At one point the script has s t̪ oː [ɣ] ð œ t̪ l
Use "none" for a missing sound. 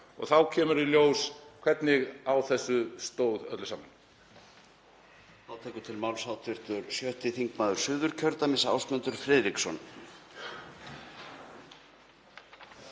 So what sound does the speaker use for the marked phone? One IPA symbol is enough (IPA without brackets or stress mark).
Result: w